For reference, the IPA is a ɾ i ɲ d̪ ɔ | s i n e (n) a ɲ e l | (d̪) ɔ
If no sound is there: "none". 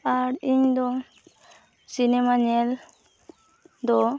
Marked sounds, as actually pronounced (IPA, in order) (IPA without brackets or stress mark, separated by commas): m, d̪